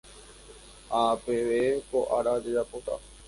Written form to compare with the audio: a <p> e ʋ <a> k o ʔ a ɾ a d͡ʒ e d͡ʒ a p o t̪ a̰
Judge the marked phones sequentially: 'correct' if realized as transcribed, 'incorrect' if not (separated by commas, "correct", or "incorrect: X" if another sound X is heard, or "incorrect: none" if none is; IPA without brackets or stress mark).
correct, incorrect: e